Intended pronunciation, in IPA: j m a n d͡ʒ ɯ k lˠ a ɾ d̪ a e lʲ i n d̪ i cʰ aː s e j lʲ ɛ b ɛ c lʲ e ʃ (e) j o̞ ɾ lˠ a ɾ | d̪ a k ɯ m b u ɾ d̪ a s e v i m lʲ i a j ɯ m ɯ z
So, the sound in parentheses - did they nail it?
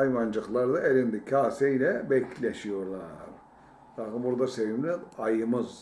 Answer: no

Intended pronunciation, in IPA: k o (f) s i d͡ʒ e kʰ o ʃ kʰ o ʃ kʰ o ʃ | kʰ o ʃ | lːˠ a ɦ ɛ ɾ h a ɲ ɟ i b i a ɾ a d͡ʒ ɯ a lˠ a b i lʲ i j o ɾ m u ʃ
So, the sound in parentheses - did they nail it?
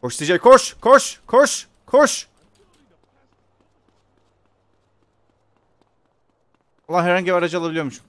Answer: no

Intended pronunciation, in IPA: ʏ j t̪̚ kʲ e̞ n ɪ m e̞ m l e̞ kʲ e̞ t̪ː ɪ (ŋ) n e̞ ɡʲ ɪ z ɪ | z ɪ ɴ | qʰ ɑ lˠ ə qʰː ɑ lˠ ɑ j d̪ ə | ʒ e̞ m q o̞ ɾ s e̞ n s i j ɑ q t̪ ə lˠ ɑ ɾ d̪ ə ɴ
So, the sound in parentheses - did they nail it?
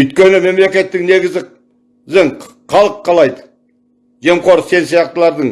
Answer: yes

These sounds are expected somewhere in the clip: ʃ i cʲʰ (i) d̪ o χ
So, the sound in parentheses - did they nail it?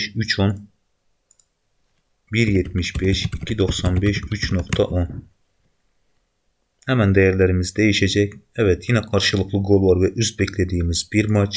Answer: yes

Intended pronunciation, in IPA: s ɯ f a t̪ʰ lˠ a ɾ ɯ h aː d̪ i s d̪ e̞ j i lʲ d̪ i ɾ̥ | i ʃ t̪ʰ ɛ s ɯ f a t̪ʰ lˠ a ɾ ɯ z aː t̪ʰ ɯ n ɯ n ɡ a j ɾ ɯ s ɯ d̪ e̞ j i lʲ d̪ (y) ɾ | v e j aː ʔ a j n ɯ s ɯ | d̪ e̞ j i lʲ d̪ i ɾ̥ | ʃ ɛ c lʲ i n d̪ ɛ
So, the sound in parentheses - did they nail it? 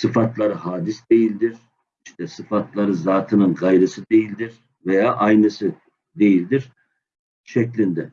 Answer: no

